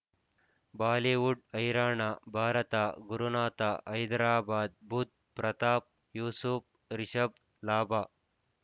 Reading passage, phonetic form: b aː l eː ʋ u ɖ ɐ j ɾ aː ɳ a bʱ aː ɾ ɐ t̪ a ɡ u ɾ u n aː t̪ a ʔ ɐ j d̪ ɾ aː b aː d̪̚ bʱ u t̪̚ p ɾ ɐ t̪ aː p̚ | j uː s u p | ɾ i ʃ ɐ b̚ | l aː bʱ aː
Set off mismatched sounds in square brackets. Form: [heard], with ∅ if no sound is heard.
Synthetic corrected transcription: b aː l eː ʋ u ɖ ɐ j ɾ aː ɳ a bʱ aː ɾ ɐ t̪ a ɡ u ɾ u n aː t̪ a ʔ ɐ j d̪ ɾ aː b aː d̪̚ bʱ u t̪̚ p ɾ ɐ t̪ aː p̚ | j uː s u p | ɾ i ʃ ɐ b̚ | l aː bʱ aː